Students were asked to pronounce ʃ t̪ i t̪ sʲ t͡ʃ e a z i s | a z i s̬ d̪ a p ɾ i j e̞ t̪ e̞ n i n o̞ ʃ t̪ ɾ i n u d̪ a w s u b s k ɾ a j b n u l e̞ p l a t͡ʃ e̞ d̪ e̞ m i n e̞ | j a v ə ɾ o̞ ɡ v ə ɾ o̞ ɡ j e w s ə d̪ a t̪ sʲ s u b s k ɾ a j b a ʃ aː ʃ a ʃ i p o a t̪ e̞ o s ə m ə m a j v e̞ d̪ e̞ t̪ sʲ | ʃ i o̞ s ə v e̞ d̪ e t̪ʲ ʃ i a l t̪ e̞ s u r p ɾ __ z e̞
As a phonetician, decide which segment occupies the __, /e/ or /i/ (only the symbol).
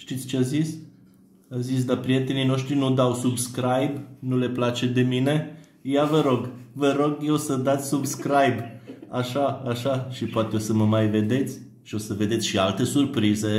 i